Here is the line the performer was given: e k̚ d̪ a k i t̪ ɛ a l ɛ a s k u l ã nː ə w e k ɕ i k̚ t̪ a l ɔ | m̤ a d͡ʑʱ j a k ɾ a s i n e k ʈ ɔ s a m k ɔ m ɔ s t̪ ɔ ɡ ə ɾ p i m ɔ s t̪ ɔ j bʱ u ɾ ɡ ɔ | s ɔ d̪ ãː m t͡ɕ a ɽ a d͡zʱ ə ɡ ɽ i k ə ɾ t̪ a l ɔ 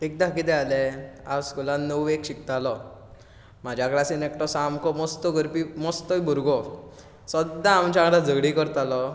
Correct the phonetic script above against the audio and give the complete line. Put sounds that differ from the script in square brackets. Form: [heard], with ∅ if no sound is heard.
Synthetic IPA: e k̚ d̪ a k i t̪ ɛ a l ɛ a s k u l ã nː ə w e k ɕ i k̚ t̪ a l ɔ | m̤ a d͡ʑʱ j a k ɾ a s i n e k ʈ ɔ s a m k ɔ m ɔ s t̪ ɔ ɡ ə ɾ p i m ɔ s t̪ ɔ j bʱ u ɾ ɡ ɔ | s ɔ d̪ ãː m t͡ɕ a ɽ a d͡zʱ ə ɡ ɽ i k ə ɾ t̪ a l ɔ

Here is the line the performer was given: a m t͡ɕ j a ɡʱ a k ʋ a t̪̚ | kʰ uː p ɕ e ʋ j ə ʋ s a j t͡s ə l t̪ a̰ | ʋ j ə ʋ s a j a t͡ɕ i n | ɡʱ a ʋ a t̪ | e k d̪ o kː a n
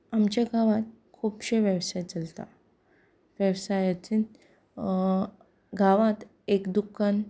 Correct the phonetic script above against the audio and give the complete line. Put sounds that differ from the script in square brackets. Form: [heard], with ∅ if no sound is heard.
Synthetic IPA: a m t͡ɕ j a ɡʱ a [∅] ʋ a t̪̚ | kʰ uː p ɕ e ʋ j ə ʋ s a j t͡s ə l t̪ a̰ | ʋ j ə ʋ s a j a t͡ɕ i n | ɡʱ a ʋ a t̪ | e k d̪ [u] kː a n

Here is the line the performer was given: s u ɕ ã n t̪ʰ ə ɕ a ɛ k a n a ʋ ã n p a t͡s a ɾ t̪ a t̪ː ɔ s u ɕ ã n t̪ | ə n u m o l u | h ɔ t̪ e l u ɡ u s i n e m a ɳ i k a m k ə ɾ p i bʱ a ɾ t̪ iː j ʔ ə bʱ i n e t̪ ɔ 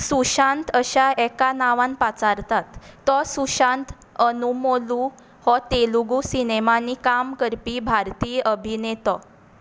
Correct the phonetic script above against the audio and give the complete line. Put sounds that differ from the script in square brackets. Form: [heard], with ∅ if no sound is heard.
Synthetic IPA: s u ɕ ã n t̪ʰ ə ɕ a ɛ k a n a ʋ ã n p a t͡s a ɾ t̪ a t̪ː ɔ s u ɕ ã n t̪ | ə n u m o l u | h ɔ t̪ e l u ɡ u s i n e m a [n] i k a m k ə ɾ p i bʱ a ɾ t̪ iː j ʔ ə bʱ i n e t̪ ɔ

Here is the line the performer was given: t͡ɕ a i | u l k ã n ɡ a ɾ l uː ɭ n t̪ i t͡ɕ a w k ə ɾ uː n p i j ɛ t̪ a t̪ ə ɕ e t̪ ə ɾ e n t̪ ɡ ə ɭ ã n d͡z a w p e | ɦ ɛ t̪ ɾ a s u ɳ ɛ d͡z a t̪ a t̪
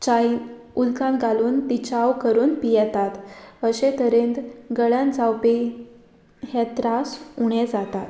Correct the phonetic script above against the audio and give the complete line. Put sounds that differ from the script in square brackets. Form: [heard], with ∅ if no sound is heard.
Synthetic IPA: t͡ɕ a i | u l k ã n ɡ a [∅] l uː [∅] n t̪ i t͡ɕ a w k ə ɾ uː n p i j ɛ t̪ a t̪ ə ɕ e t̪ ə ɾ e n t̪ ɡ ə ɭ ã n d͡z a w p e | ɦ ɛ t̪ ɾ a s u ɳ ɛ d͡z a t̪ a t̪

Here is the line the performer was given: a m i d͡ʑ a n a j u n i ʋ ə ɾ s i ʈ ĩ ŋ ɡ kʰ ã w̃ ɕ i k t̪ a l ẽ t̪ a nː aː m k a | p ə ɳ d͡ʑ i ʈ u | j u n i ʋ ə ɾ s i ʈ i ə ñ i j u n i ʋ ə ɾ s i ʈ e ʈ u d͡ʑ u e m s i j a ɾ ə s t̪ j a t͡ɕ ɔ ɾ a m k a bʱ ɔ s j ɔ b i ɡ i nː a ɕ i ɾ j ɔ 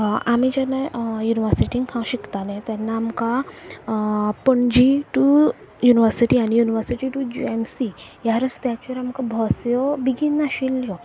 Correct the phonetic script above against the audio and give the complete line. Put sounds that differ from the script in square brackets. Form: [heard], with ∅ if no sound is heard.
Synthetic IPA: a m i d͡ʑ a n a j u n i ʋ ə ɾ s i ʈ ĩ ŋ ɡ kʰ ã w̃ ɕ i k t̪ a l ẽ t̪ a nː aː m k a | p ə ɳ d͡ʑ i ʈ u | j u n i ʋ ə ɾ s i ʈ i [a] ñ i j u n i ʋ ə ɾ s i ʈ [i] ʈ u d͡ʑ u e m s i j a ɾ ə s t̪ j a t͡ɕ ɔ ɾ a m k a bʱ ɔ s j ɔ b i ɡ i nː a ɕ i [l] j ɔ

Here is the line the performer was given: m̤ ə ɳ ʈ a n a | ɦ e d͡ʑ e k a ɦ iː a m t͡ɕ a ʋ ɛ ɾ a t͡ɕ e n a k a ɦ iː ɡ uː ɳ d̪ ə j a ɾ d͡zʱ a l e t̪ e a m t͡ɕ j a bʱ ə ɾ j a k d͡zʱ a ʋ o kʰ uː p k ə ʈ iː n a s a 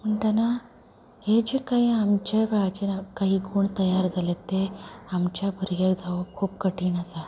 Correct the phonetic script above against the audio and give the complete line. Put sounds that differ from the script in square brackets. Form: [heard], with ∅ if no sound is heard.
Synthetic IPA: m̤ ə ɳ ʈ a n a | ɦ e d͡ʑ e k a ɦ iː a m t͡ɕ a ʋ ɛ [ɭ] a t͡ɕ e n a k a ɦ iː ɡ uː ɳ [t̪] ə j a ɾ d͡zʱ a l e t̪ e a m t͡ɕ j a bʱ ə ɾ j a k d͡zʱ a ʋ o kʰ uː p k ə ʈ iː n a s a

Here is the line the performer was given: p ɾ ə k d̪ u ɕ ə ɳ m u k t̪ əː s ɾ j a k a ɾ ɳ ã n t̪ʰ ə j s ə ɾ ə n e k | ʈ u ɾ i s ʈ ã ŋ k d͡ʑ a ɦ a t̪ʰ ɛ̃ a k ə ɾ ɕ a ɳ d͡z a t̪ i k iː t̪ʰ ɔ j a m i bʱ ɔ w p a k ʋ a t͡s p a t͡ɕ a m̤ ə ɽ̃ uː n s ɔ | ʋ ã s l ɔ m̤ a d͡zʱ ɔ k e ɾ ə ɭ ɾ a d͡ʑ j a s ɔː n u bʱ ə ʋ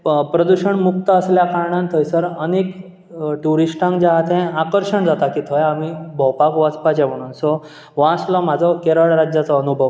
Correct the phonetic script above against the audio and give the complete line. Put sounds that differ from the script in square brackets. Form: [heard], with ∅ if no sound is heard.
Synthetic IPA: p ɾ ə [∅] d̪ u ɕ ə ɳ m u k t̪ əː s [l] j a k a ɾ ɳ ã n t̪ʰ ə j s ə ɾ ə n e k | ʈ u ɾ i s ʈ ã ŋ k d͡ʑ a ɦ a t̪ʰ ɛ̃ a k ə ɾ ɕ [ə] ɳ d͡z a t̪ [a] k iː t̪ʰ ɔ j a m i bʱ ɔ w p a k ʋ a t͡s p a t͡ɕ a m̤ ə ɽ̃ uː n s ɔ | ʋ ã s l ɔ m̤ a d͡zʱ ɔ k e ɾ ə ɭ ɾ a d͡ʑ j a [t͡s] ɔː n u bʱ ə ʋ

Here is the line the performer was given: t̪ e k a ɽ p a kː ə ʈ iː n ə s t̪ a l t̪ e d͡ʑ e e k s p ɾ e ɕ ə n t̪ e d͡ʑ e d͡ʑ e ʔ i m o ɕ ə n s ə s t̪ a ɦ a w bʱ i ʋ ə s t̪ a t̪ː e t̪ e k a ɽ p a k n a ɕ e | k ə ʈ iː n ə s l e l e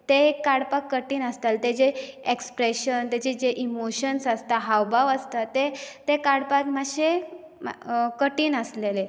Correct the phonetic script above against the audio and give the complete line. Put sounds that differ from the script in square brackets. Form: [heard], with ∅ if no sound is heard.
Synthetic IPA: t̪ e k a ɽ p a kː ə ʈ iː n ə s t̪ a l t̪ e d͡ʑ e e k s p ɾ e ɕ ə n t̪ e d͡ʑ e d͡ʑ e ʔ i m o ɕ ə n s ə s t̪ a ɦ a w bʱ [a] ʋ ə s t̪ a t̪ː e t̪ e k a ɽ p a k [m] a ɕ e | k ə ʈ iː n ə s l e l e

